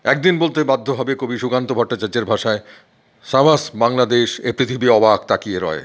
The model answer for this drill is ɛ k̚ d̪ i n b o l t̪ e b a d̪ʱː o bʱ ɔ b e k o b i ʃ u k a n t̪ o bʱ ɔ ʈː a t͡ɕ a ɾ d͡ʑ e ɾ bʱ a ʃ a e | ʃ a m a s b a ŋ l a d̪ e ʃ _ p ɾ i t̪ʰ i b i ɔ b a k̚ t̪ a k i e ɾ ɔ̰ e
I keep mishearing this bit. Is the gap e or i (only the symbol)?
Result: e